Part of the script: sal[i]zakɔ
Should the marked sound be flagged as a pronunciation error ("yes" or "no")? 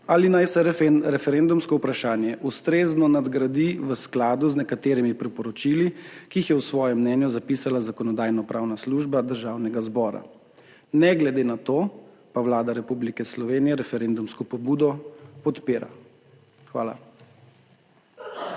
yes